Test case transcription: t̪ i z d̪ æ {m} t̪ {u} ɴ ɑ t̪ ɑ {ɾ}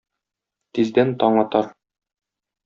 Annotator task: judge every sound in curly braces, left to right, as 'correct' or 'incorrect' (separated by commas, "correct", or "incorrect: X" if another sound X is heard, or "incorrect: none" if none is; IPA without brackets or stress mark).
incorrect: n, incorrect: ɒ, correct